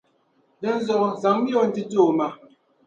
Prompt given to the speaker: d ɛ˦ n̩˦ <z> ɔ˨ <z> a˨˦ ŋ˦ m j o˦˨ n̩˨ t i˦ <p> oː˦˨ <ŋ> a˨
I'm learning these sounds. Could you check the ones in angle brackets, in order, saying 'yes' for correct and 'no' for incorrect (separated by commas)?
yes, yes, no, no